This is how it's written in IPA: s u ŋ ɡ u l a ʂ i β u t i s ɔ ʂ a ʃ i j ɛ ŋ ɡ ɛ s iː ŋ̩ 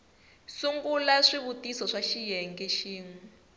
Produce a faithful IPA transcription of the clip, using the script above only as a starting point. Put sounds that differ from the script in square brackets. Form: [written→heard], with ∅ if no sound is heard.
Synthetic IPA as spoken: s u ŋ ɡ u l a ʂ i β u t i s ɔ ʂ a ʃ i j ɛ ŋ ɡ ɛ [s→ʃ] iː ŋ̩

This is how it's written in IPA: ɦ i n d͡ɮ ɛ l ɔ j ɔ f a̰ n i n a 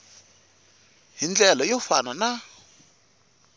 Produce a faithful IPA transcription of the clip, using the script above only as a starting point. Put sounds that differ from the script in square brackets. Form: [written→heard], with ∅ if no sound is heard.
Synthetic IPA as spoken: ɦ i n d͡ɮ ɛ l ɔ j ɔ f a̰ n [i→a] n a

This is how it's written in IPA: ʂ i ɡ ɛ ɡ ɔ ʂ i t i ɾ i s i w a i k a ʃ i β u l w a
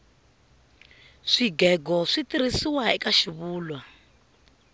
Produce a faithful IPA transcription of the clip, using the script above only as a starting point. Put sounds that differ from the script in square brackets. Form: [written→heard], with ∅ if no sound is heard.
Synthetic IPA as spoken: ʂ i ɡ ɛ ɡ ɔ ʂ i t i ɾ i s i w a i k a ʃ i β [u→uː] l w a

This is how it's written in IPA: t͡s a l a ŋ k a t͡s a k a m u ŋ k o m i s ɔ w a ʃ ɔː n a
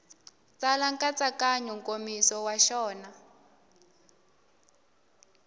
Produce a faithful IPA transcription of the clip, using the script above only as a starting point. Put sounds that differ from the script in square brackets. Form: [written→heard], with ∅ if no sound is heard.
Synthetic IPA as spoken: t͡s a l a ŋ k a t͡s a k a [m→ɲ] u ŋ k o m i s ɔ w a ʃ ɔː n a

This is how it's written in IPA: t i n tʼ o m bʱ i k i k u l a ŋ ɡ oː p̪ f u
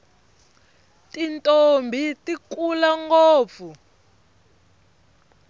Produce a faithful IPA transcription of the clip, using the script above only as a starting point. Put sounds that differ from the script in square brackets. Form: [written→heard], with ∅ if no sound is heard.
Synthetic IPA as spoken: t i n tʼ o m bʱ i [k→t] i k u l a ŋ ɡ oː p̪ f u

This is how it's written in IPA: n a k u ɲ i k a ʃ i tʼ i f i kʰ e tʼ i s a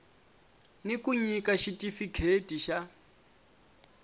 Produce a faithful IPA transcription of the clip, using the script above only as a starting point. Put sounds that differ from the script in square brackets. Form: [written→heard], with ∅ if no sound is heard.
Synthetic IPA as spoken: n [a→i] k u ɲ i k a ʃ i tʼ i f i kʰ e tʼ i [s→ʃ] a

